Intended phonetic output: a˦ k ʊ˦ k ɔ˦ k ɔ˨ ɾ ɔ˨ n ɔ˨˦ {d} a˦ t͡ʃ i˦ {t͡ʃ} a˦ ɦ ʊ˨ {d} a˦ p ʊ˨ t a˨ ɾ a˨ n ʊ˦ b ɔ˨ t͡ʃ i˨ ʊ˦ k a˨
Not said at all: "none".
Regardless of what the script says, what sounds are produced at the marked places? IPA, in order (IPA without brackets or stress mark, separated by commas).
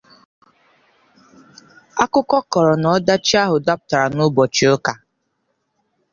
d, none, d